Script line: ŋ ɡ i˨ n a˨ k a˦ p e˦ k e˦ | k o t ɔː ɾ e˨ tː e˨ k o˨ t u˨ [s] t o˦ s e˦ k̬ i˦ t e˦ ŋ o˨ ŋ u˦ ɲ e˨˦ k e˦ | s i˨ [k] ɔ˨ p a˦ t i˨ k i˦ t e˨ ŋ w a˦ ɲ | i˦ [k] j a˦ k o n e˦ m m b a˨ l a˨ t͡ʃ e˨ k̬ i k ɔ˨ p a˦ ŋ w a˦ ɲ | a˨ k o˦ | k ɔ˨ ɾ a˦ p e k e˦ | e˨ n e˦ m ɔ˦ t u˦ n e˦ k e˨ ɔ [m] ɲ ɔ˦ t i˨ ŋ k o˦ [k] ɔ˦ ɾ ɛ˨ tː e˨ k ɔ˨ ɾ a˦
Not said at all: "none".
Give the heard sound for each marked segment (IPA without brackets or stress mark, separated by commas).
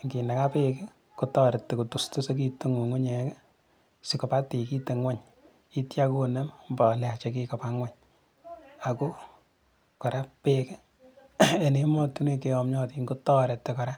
s, k, t, m, t